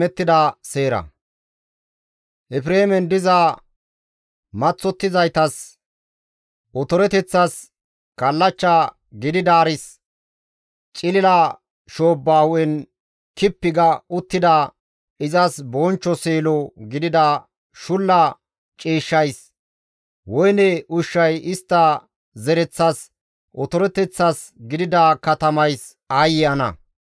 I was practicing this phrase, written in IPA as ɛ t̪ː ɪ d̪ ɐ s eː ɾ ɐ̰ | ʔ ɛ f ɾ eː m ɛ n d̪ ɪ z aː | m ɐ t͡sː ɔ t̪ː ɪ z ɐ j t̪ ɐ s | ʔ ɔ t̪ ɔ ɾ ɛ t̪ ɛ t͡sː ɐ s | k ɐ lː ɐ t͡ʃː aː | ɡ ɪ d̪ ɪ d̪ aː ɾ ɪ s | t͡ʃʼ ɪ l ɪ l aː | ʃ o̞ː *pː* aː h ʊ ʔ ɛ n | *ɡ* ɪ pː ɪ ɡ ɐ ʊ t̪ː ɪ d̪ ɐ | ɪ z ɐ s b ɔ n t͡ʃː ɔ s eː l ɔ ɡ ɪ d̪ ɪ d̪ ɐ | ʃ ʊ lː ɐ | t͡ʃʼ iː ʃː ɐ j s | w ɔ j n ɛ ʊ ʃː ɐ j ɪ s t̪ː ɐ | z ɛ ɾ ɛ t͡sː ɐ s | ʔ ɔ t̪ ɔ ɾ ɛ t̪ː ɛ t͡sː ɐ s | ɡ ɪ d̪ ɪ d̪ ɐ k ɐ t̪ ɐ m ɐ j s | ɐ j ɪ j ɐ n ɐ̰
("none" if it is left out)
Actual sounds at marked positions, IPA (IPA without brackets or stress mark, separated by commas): bː, k